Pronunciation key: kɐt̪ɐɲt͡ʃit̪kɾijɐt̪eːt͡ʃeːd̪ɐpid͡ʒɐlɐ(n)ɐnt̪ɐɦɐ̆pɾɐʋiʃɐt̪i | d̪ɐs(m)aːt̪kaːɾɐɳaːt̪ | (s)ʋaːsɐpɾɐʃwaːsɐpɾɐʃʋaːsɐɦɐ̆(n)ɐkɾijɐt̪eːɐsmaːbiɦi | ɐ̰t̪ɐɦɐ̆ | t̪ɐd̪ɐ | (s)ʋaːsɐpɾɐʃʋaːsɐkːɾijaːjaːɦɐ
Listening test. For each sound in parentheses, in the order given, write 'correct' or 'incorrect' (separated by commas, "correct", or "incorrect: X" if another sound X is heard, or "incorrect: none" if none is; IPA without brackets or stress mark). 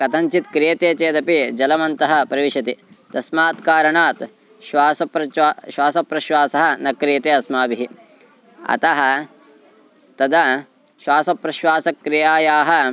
incorrect: m, correct, incorrect: ʃ, correct, incorrect: ʃ